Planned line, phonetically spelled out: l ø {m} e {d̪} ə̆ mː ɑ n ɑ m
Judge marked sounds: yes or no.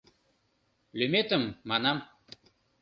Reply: yes, no

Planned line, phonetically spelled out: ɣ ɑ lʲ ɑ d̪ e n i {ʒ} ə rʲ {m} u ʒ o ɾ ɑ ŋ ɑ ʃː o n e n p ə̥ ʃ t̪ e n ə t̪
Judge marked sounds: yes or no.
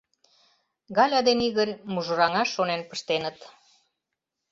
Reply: no, yes

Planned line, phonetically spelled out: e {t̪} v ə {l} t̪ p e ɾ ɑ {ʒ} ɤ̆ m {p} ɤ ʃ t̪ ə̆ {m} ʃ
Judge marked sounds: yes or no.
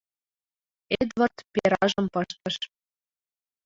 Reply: no, no, yes, yes, no

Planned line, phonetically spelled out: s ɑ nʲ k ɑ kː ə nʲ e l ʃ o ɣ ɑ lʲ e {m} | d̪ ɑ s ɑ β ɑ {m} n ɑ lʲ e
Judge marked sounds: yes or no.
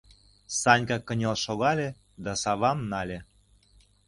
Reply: no, yes

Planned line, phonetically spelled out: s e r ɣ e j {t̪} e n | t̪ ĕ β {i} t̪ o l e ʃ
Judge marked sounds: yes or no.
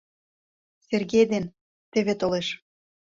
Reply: no, no

